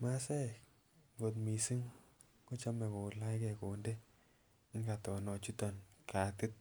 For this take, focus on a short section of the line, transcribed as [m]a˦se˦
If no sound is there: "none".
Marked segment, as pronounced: m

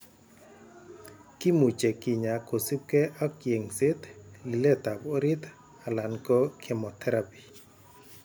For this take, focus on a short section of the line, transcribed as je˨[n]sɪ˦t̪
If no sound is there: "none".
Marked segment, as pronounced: ŋ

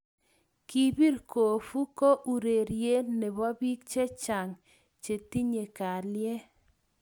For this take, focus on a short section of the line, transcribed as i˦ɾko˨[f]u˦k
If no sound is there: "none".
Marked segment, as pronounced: f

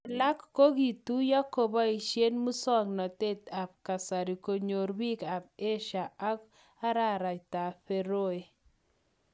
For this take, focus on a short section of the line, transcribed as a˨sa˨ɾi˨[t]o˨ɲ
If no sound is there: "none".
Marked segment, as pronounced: k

